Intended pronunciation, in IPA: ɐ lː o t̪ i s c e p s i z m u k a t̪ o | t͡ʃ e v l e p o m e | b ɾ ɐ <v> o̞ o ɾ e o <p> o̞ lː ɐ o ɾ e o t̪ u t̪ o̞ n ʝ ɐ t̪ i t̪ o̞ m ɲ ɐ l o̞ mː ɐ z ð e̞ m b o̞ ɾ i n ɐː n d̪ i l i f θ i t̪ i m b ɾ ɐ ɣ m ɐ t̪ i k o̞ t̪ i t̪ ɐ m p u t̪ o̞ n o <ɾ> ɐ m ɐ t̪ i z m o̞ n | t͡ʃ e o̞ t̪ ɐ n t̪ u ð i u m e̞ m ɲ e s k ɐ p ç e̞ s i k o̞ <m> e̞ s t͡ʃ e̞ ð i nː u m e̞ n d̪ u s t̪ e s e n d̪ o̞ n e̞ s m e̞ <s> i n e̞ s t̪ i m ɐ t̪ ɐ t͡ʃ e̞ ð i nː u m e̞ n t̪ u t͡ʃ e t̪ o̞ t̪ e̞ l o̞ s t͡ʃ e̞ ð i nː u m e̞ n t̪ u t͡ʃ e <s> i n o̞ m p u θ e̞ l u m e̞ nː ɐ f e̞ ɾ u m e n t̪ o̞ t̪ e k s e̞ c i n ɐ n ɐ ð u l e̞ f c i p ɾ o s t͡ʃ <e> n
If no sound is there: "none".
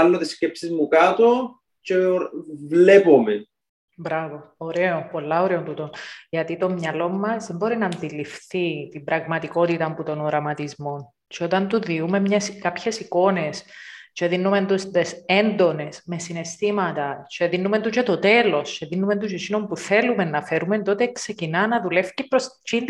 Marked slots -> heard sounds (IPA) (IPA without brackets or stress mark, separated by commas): v, p, ɾ, n, s, s, i